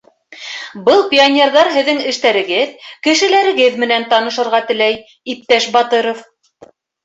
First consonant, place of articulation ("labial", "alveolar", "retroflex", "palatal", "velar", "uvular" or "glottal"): labial